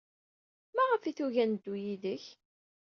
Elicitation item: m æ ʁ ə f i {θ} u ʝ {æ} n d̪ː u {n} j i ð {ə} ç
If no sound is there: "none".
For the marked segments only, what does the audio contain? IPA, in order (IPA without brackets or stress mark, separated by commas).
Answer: θ, æ, none, ə